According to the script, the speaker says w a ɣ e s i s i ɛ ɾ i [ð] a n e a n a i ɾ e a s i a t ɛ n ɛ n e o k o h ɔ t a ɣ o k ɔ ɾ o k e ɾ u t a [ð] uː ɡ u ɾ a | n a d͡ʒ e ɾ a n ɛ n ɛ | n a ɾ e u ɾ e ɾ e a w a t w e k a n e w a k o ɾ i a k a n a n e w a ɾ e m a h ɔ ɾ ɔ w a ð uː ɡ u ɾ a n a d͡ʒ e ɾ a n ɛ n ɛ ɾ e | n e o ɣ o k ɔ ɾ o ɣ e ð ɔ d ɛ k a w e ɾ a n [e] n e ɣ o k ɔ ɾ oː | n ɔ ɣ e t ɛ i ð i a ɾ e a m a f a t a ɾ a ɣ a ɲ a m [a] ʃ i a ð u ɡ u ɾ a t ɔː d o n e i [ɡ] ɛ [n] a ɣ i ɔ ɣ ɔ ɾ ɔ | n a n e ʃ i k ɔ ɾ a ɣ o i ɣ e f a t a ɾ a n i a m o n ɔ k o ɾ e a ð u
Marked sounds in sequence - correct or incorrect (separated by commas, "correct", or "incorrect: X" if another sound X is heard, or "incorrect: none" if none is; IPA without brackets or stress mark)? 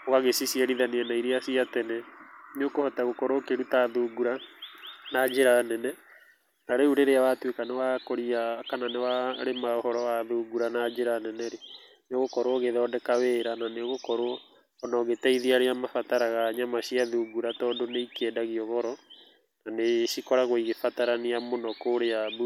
correct, correct, incorrect: a, correct, incorrect: k, incorrect: d